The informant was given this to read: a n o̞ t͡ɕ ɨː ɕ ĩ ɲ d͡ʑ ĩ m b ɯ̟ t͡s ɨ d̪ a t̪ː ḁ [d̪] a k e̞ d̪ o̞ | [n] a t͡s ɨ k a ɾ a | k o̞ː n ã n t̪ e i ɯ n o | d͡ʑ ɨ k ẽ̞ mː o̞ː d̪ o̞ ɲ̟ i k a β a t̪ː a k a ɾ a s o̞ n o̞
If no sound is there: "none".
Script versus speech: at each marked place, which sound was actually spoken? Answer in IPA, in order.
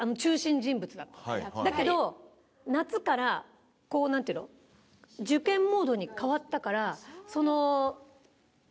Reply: d̪, n

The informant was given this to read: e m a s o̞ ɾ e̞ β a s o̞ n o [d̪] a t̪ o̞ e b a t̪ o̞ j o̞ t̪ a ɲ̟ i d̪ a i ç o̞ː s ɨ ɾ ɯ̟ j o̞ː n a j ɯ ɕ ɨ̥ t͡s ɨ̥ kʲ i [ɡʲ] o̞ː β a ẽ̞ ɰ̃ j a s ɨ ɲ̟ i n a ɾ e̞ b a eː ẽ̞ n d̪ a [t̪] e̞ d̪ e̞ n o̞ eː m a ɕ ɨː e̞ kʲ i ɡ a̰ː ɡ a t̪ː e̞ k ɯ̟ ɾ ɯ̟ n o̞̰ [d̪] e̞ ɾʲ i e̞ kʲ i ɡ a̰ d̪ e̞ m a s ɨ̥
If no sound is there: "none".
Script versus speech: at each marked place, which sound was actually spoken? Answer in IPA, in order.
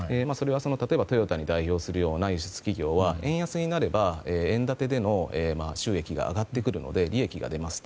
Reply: t̪, ɡʲ, t̪, d̪

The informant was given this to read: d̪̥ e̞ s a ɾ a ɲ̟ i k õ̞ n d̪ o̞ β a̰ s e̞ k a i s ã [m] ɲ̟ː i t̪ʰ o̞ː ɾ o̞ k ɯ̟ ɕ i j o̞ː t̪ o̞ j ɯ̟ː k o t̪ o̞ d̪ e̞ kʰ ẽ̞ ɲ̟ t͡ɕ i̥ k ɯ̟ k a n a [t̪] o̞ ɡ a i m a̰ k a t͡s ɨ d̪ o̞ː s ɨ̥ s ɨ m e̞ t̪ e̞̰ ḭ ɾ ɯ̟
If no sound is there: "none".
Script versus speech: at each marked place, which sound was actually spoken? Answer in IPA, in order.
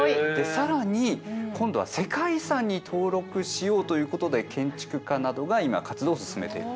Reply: none, d̪

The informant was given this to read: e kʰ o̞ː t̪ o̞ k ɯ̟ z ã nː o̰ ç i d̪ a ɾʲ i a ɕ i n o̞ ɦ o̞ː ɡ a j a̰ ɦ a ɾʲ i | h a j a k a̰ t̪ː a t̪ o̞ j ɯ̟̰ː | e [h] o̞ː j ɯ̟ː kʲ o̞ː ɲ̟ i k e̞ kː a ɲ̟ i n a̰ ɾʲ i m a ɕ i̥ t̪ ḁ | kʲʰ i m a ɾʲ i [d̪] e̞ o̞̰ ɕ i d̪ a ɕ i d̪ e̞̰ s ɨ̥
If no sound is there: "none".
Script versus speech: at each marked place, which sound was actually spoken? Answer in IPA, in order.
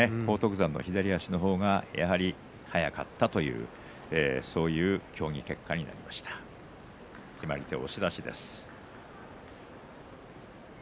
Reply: s, t̪

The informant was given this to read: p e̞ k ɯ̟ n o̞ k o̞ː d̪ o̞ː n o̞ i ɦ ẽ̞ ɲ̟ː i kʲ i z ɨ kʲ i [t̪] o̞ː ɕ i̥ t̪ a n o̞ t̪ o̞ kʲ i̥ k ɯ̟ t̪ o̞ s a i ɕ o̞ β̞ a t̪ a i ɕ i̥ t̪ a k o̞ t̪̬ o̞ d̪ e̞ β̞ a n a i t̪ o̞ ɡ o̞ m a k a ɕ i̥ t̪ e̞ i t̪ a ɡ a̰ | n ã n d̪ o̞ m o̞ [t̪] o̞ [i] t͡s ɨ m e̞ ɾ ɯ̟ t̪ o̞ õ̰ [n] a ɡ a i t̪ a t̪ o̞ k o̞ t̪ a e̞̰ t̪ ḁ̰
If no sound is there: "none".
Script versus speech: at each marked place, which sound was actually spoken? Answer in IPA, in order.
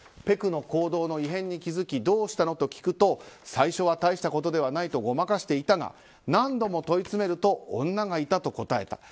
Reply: d̪, t̪, i, nː

